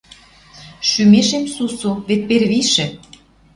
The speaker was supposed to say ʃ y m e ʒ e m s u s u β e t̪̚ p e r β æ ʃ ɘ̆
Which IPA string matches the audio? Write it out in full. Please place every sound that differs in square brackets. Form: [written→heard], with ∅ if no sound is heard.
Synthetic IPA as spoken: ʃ y m e [ʒ→ʃ] e m s u s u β e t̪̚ p e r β [æ→i] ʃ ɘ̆